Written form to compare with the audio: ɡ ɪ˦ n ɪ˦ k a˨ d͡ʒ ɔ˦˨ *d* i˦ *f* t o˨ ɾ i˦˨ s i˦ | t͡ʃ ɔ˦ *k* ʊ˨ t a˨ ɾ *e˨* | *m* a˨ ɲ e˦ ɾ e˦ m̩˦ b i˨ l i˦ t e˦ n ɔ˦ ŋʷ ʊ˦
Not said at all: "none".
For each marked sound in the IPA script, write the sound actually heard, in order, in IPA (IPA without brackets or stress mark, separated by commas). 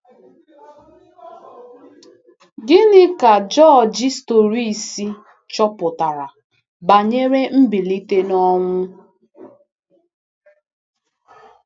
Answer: d͡ʒ, s, p, a˨, b